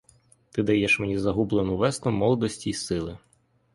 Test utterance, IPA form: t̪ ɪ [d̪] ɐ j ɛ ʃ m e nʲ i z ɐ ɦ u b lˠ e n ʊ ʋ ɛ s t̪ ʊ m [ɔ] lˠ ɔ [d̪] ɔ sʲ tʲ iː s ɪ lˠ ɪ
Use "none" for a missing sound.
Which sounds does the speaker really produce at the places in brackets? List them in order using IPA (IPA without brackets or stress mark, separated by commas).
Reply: d̪, ɔ, d̪